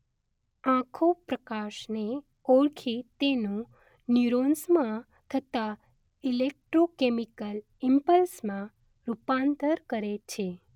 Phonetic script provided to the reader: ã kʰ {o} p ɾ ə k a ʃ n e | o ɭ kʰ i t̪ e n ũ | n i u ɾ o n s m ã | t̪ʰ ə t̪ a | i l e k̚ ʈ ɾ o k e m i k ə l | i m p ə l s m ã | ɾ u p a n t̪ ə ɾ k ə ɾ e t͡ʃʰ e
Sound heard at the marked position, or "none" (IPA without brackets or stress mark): o